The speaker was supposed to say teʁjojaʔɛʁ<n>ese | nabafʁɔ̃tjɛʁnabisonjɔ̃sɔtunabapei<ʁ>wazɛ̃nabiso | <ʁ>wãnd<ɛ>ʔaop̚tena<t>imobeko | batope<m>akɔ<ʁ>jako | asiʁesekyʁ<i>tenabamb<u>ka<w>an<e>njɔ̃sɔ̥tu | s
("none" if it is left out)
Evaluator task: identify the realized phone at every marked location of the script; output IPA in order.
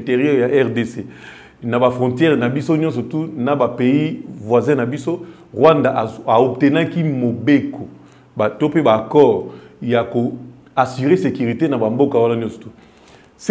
d, v, ʁ, a, k, b, ʁ, i, o, w, a

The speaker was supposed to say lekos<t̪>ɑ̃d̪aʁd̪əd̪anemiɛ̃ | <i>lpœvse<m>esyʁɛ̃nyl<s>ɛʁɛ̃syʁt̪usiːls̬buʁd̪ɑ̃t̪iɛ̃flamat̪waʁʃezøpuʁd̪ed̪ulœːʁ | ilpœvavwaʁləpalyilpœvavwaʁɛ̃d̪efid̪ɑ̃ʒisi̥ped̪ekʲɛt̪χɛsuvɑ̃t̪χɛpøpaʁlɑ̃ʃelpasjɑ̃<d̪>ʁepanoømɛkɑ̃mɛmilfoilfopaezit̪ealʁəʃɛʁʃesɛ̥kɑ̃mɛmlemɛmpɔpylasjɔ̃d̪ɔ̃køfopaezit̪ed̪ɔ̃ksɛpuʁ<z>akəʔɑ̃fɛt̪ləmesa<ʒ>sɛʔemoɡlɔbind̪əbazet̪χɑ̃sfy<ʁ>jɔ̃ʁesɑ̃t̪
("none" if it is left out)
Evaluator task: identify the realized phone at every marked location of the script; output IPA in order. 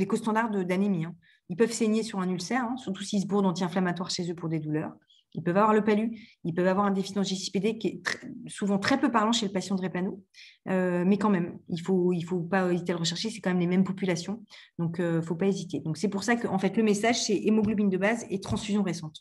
t̪, i, ɲ, s, d̪, s, ʒ, z

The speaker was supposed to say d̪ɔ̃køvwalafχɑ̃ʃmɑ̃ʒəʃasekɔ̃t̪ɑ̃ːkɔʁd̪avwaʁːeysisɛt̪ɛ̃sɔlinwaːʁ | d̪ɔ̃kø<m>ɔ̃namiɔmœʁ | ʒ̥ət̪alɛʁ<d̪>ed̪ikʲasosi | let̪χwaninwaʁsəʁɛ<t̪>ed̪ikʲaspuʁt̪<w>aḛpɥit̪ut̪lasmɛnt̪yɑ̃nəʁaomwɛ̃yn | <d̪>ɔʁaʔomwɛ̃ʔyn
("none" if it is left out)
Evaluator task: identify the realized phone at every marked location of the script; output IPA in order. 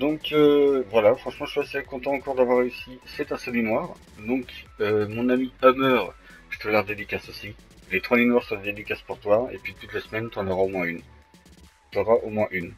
m, d̪, d̪, w, t̪

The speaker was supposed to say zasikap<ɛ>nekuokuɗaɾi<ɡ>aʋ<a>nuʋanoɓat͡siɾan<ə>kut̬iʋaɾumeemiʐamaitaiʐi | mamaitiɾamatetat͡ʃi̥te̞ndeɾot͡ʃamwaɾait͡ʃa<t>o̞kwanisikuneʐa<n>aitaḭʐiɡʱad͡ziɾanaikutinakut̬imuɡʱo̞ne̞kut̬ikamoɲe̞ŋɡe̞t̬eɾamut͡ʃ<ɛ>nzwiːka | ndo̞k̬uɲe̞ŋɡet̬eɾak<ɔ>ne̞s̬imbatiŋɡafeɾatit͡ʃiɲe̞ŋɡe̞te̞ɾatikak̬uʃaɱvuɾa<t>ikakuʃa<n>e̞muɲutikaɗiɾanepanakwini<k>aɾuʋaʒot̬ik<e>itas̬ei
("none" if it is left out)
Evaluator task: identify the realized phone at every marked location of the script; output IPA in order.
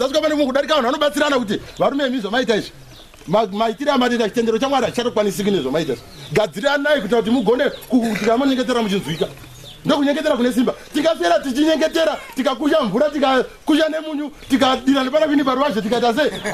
a, k, a, a, t, m, i, u, t, n, p, a

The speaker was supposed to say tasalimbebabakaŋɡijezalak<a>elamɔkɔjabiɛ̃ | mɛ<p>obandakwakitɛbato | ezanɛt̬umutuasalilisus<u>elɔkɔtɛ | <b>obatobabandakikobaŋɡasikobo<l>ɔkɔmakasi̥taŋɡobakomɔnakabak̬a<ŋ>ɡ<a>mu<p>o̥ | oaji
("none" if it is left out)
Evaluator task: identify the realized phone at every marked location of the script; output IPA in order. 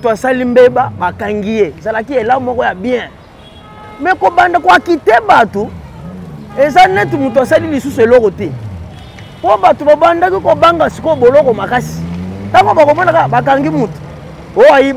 i, k, u, p, l, ŋ, i, t

